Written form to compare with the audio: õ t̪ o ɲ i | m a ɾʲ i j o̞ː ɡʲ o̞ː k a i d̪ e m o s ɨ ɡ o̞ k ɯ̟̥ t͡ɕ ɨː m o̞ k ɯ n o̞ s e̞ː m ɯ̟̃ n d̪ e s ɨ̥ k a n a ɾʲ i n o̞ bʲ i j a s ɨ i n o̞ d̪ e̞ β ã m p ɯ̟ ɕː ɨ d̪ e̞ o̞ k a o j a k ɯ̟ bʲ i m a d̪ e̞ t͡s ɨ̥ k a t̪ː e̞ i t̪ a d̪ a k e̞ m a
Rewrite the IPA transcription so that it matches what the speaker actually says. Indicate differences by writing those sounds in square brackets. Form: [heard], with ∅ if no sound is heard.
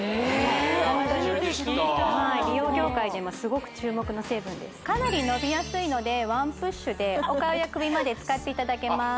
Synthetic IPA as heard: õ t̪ o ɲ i | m a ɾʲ i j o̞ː ɡʲ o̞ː k a i d̪ e m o s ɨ ɡ o̞ k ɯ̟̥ t͡ɕ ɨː m o̞ k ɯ n o̞ s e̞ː [b] ɯ̟̃ n d̪ e s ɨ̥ k a n a ɾʲ i n o̞ bʲ i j a s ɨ i n o̞ d̪ e̞ β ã m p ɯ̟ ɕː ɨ d̪ e̞ o̞ k a o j a k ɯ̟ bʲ i m a d̪ e̞ t͡s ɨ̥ k a t̪ː e̞ i t̪ a d̪ a k e̞ m a